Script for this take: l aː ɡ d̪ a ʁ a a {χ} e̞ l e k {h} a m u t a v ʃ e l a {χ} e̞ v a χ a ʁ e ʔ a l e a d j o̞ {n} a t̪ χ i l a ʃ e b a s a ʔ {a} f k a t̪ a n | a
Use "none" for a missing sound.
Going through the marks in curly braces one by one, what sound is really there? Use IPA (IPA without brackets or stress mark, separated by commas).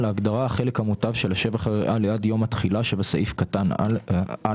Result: χ, h, ʃ, m, i